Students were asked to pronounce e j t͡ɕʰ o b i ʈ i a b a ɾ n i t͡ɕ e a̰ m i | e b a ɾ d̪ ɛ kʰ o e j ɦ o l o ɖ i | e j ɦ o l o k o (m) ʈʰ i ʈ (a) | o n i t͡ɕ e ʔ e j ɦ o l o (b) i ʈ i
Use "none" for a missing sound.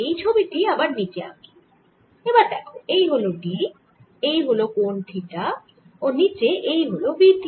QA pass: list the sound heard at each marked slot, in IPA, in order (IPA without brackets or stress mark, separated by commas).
n, a, b